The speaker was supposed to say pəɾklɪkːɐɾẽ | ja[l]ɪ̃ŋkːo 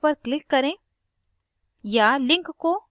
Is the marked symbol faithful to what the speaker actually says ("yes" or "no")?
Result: yes